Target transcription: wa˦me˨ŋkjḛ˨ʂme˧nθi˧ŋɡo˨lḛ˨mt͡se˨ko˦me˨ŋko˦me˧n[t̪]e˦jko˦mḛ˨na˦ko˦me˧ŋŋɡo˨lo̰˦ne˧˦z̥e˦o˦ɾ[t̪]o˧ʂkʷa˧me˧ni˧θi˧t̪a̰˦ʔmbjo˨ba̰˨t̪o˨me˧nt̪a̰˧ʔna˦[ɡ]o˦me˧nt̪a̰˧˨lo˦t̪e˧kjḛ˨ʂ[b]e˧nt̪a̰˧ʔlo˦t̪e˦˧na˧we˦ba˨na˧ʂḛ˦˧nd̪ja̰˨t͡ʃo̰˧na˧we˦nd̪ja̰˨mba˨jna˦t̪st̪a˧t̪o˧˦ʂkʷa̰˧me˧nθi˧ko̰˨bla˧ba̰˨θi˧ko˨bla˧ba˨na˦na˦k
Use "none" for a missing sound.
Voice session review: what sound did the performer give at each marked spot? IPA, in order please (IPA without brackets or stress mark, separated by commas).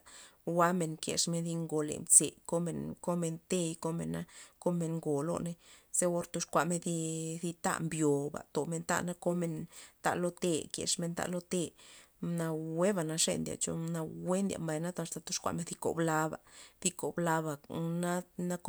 t̪, t̪, k, m